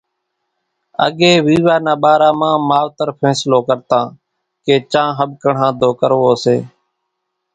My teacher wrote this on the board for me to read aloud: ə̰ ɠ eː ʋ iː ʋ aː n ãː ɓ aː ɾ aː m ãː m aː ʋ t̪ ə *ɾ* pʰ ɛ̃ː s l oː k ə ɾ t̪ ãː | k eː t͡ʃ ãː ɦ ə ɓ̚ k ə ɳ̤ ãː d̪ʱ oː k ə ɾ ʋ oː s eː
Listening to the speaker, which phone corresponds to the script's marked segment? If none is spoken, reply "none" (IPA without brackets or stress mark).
ɾ